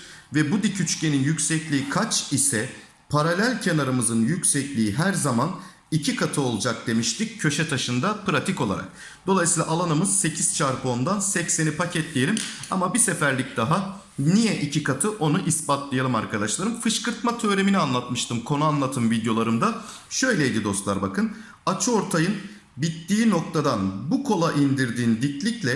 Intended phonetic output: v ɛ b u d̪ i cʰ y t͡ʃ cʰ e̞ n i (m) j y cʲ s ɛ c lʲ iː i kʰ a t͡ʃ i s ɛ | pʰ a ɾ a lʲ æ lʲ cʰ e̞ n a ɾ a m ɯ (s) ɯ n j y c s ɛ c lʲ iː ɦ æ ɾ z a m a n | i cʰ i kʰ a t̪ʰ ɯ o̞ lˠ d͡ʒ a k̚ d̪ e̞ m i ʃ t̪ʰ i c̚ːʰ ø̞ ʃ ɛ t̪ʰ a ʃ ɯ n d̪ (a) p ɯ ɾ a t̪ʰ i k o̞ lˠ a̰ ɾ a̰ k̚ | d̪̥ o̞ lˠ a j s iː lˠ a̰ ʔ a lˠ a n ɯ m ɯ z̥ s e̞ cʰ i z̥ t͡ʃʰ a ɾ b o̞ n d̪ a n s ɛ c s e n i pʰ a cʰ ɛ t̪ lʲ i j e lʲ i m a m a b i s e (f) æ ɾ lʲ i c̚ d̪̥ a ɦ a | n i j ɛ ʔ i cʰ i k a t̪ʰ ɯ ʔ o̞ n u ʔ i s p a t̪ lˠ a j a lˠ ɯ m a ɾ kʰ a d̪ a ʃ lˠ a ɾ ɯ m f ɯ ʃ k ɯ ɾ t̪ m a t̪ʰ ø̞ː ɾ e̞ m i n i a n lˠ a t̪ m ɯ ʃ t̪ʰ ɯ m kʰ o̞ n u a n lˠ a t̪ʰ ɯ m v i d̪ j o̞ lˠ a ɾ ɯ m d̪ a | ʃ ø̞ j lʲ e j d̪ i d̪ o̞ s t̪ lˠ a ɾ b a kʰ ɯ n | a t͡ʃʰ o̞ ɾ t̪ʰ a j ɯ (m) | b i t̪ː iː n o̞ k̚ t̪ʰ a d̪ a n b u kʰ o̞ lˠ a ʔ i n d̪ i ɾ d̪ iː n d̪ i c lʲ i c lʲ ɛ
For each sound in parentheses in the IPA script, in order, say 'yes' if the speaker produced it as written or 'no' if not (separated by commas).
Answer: no, no, yes, yes, no